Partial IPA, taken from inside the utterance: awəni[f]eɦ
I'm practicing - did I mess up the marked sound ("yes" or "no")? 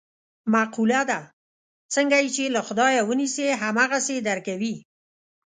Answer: yes